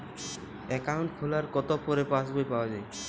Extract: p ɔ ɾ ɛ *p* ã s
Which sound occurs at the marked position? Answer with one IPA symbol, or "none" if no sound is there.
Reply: p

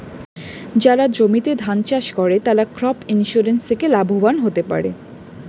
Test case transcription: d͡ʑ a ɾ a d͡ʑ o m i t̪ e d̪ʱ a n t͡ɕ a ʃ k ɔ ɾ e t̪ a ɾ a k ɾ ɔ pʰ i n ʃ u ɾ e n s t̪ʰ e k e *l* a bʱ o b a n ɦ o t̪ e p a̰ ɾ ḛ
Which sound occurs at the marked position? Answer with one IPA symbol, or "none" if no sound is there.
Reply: l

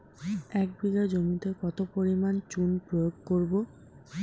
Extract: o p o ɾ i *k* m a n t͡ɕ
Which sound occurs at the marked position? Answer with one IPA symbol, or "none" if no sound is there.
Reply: none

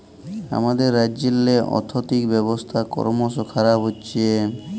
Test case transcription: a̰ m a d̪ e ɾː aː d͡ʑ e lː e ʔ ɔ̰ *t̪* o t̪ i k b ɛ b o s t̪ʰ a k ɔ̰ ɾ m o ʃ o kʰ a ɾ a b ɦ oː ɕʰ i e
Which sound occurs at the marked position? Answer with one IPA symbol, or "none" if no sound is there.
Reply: t̪ʰ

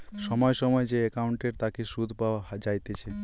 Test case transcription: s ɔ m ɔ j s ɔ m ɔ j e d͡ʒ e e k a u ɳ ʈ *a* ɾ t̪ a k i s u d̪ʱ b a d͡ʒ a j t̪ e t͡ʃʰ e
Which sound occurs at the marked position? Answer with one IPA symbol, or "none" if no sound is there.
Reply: e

